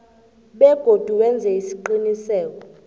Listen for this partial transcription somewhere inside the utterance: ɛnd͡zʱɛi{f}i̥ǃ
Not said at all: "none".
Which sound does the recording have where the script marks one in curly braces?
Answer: s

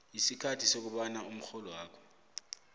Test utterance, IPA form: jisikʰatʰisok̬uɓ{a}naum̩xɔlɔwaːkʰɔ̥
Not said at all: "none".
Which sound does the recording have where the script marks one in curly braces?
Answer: a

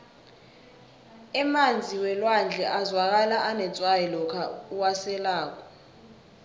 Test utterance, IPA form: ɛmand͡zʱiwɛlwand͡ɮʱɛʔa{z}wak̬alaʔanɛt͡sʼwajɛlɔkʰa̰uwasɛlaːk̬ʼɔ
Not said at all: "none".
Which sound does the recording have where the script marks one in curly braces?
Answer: z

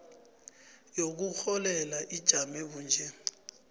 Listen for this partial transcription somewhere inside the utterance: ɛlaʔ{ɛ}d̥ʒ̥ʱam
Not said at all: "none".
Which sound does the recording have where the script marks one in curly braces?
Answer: i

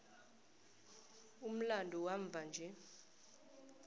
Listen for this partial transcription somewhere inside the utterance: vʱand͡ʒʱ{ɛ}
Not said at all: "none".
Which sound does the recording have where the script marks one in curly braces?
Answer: ɛ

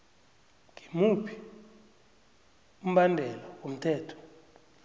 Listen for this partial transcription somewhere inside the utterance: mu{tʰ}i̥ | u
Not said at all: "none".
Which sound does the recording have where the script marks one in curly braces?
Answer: pʰ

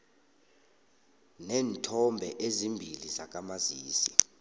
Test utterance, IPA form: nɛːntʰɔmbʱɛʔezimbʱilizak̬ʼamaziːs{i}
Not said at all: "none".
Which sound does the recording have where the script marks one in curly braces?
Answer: i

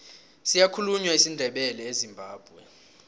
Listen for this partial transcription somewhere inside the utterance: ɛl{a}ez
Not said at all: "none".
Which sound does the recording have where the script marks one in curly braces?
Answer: ɛ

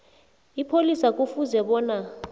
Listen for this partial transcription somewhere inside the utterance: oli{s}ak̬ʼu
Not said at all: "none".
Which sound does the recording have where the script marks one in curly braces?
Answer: s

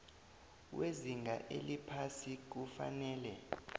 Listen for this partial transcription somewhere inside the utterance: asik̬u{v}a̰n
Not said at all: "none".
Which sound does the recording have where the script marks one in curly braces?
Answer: f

